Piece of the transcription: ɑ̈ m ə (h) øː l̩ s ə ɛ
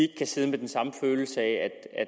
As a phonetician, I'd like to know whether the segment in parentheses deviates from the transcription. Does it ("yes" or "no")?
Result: yes